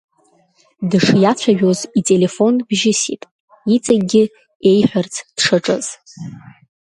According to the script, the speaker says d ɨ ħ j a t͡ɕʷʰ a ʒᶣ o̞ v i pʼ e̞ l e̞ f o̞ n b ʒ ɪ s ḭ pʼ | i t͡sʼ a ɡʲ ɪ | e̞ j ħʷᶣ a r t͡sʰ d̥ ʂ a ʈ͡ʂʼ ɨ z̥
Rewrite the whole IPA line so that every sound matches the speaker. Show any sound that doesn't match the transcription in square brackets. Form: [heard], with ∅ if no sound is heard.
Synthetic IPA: d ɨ [ʂ] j a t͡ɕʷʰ a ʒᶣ o̞ [z] i [tʼ] e̞ l e̞ f o̞ n b ʒ ɪ s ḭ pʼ | i t͡sʼ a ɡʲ ɪ | e̞ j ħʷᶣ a r t͡sʰ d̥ ʂ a ʈ͡ʂʼ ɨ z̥